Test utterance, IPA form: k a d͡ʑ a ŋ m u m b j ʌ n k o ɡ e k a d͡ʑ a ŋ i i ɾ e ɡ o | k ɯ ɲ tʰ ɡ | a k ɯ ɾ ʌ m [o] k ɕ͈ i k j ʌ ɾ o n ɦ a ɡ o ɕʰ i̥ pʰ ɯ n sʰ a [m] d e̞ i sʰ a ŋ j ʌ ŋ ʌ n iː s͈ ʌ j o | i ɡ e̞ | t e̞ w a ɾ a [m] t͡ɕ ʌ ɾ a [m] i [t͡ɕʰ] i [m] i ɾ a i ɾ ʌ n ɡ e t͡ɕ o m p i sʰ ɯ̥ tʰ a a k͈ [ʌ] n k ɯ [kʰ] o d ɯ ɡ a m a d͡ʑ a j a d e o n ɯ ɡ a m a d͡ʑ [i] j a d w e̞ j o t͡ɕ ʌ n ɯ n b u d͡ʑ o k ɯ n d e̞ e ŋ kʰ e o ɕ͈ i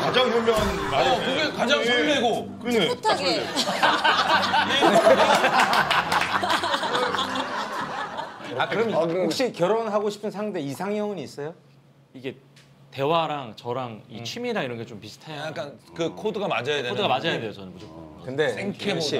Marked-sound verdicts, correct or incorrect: correct, incorrect: ŋ, incorrect: ŋ, incorrect: ŋ, correct, correct, incorrect: a, correct, incorrect: a

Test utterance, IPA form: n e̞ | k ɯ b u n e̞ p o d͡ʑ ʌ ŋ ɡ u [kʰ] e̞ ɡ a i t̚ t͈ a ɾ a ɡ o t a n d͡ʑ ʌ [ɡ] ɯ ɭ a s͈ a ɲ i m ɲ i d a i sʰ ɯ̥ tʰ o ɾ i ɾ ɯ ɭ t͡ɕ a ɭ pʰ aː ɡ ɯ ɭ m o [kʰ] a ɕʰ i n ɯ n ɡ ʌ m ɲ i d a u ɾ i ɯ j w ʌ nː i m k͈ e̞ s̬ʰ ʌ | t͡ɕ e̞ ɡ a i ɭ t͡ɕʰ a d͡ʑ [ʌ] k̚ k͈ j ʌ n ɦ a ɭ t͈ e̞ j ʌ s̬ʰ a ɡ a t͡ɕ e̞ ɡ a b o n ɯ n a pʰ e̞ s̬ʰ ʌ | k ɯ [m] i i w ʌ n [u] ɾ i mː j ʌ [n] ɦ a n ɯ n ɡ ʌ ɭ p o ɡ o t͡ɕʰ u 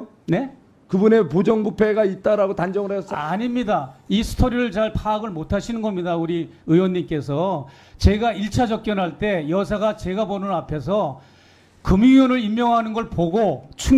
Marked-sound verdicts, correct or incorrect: incorrect: pʰ, incorrect: ŋ, incorrect: tʰ, correct, correct, incorrect: ɯ, incorrect: ŋ

